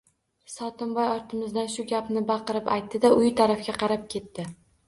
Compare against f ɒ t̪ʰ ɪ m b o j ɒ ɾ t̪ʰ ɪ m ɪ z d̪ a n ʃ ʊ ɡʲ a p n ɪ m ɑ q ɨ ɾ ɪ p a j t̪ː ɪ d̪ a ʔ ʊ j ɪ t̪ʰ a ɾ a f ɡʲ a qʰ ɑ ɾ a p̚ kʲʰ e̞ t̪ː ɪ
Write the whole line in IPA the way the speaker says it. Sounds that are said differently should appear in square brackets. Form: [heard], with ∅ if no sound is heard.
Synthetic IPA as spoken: [s] ɒ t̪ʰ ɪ m b [ɒ] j ɒ ɾ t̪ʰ ɪ m ɪ z d̪ a n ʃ ʊ ɡʲ a p n ɪ [b] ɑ q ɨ ɾ ɪ p a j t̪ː ɪ d̪ a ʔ ʊ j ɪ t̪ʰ a ɾ a f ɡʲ a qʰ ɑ ɾ a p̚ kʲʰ e̞ t̪ː ɪ